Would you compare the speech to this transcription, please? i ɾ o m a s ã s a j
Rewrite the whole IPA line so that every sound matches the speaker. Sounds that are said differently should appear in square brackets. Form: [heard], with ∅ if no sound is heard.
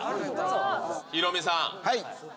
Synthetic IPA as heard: i ɾ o m [i] s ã [h] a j